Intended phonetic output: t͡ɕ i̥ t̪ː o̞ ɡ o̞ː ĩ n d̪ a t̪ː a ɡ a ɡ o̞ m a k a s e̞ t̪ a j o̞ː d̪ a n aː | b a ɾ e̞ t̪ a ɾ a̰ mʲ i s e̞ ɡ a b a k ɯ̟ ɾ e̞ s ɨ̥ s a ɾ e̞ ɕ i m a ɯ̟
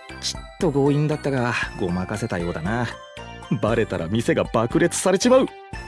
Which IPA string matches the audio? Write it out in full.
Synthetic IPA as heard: t͡ɕ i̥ t̪ː o̞ ɡ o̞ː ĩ n d̪ a t̪ː a ɡ a ɡ o̞ m a k a s e̞ t̪ a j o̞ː d̪ a n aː | b a ɾ e̞ t̪ a ɾ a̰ mʲ i s e̞ ɡ a b a k ɯ̟ ɾ e̞ t͡s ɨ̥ s a ɾ e̞ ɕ i m a ɯ̟